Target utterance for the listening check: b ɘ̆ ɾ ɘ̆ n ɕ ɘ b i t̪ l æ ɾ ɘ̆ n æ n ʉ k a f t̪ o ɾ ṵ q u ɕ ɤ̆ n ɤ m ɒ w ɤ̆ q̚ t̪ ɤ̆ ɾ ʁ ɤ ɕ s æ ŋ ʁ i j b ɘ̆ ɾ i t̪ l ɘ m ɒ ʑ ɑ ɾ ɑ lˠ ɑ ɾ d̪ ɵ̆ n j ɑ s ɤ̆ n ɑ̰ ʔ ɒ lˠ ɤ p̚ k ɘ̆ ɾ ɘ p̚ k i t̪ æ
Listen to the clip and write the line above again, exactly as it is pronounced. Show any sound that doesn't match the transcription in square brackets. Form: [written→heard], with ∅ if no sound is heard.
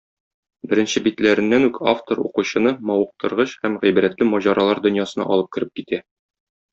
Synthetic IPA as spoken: b ɘ̆ ɾ ɘ̆ n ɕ ɘ b i t̪ l æ ɾ ɘ̆ [n→nː] æ n ʉ k a f t̪ o ɾ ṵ q u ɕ ɤ̆ n ɤ m ɒ w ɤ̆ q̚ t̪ ɤ̆ ɾ ʁ ɤ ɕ [s→h] æ [ŋ→m] ʁ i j b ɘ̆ ɾ [i→æ] t̪ l ɘ m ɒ ʑ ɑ ɾ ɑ lˠ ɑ ɾ d̪ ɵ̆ n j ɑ s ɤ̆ n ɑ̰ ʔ ɒ lˠ ɤ p̚ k ɘ̆ ɾ ɘ p̚ k i t̪ æ